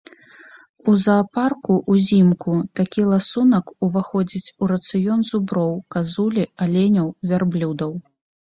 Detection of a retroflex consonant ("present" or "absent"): absent